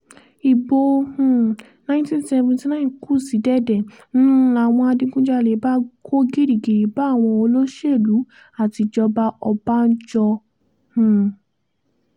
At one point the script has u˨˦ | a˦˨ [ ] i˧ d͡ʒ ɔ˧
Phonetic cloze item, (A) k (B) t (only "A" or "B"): B